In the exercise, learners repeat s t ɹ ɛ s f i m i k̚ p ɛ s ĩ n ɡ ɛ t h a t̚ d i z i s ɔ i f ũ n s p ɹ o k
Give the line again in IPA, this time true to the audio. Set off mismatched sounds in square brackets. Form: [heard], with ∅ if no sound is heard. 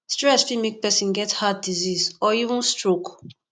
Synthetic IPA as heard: s t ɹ ɛ s f i m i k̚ p ɛ s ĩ n ɡ ɛ t h a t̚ d i z i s ɔ i [v] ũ n s [t] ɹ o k